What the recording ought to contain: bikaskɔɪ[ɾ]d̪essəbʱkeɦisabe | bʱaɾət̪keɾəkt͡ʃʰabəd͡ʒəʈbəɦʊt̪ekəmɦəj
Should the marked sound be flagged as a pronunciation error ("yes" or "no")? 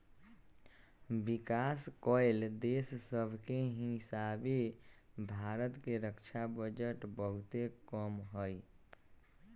yes